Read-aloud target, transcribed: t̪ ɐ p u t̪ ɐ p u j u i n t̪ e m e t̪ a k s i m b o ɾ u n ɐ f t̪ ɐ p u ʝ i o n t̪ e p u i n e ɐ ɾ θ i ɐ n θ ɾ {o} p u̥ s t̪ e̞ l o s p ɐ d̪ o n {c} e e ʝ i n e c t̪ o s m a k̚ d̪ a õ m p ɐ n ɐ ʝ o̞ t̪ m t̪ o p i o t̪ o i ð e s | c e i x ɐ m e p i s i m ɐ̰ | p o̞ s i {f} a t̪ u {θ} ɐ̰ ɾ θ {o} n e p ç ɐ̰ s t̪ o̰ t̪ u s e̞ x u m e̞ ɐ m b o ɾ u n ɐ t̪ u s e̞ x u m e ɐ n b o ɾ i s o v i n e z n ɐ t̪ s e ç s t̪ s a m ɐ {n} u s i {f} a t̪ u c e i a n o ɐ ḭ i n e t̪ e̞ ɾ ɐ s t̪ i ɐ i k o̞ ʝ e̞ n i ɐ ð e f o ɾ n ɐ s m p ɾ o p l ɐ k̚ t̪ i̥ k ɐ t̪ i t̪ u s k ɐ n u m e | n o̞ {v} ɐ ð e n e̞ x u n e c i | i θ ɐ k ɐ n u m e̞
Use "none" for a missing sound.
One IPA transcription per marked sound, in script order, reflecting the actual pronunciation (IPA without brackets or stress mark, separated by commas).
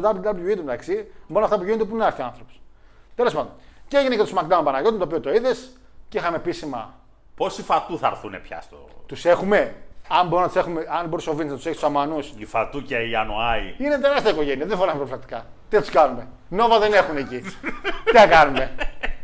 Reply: o, c, f, θ, u, n, f, v